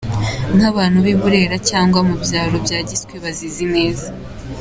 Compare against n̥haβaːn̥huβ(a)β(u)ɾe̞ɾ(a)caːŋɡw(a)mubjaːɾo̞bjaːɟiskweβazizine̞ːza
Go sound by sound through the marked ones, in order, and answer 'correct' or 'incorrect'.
incorrect: i, correct, correct, correct

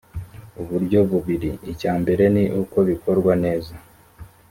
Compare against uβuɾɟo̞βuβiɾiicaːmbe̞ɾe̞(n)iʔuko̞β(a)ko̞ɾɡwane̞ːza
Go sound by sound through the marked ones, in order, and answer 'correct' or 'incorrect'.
correct, incorrect: i

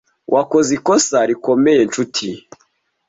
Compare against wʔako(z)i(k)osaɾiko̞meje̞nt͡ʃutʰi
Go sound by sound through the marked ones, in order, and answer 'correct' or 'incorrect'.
correct, correct

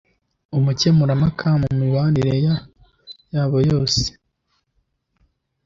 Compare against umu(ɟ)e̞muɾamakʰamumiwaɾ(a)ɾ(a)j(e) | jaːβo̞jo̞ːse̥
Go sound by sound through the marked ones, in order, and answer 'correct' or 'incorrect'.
incorrect: c, incorrect: i, incorrect: e, incorrect: a

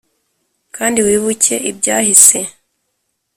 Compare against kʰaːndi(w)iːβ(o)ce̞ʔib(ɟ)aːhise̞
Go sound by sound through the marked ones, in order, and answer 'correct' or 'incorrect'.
correct, incorrect: u, correct

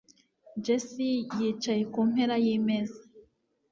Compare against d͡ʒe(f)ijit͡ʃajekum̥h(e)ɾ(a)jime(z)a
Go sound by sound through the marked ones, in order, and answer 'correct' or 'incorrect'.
incorrect: s, correct, correct, correct

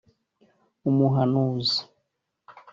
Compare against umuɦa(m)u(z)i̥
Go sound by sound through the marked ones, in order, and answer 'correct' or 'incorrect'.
incorrect: n, correct

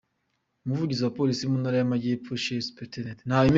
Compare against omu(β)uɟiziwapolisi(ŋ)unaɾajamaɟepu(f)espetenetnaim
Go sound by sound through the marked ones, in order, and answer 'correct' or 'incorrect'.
incorrect: v, incorrect: m, incorrect: ʃ

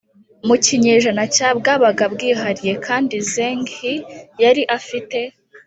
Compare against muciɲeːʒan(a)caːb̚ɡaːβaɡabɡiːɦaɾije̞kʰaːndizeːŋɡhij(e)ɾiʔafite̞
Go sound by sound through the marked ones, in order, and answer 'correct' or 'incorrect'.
correct, incorrect: a

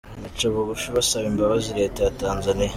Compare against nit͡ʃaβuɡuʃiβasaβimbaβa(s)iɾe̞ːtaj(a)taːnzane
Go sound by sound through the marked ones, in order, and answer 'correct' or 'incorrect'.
incorrect: z, correct

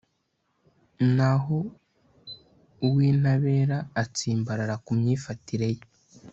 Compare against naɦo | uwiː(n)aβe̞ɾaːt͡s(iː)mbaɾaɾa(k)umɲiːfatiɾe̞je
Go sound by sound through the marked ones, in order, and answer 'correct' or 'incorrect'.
correct, correct, correct

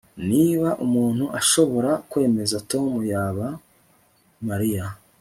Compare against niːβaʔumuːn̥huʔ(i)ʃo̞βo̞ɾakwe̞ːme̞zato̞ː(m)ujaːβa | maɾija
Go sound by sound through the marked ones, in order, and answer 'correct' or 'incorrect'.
incorrect: a, correct

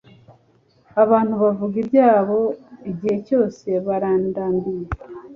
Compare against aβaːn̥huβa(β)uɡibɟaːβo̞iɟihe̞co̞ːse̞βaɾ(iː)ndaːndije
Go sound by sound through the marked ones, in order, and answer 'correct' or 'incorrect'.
incorrect: v, incorrect: aː

